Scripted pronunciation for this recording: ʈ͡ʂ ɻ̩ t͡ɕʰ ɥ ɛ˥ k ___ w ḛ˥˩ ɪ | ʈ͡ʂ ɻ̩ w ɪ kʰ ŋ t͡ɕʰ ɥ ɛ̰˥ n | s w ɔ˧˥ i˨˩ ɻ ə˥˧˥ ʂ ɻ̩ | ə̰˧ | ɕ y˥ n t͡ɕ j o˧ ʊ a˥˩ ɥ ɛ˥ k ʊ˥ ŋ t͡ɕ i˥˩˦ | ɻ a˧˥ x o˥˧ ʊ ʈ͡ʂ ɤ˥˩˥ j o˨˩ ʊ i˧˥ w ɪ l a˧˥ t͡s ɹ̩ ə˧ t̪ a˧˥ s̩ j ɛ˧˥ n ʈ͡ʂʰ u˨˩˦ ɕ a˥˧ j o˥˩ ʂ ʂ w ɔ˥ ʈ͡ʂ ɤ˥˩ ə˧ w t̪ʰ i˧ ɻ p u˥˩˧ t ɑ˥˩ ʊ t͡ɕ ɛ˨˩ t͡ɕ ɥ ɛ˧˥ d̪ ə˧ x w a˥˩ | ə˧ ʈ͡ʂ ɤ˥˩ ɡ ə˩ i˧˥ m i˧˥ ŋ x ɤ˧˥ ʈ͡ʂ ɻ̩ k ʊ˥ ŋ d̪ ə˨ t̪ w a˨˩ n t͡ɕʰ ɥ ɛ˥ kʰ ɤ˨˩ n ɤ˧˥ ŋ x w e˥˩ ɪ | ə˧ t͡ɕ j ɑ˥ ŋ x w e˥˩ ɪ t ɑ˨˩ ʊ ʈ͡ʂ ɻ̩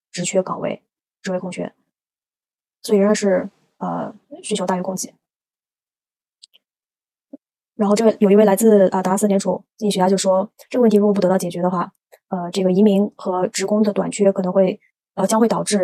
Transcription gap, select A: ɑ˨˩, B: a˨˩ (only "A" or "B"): A